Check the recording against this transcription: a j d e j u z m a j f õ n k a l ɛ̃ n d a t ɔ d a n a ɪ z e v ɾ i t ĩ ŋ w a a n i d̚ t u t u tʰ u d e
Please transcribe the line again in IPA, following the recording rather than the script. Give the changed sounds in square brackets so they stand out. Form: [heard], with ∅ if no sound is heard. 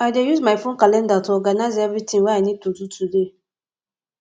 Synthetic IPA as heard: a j d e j u z m a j f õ n k a l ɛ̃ n d a t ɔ [ɡ] a n a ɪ z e v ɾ i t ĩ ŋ w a a n i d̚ t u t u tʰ u d e